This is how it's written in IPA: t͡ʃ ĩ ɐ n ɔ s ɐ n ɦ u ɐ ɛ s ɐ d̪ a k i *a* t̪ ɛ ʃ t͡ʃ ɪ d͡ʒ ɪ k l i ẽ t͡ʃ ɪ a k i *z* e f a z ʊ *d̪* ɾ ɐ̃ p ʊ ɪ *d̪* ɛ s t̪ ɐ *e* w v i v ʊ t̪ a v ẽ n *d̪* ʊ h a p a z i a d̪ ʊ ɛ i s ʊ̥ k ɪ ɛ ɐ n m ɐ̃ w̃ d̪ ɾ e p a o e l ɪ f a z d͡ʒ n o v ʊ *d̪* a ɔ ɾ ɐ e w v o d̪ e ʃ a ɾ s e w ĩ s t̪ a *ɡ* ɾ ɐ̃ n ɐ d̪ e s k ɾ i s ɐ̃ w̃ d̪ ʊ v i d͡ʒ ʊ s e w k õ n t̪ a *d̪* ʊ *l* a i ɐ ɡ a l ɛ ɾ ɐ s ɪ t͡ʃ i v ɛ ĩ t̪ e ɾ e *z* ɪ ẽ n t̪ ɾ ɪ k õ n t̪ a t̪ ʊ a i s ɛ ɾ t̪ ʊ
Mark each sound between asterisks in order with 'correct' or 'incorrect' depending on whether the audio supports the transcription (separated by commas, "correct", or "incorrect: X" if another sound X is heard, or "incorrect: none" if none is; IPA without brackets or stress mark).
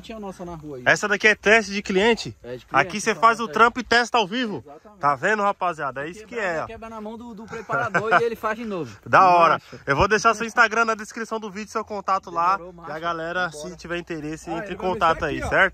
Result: incorrect: ɛ, incorrect: s, incorrect: t̪, incorrect: t̪, incorrect: a, correct, correct, correct, incorrect: t̪, correct, incorrect: s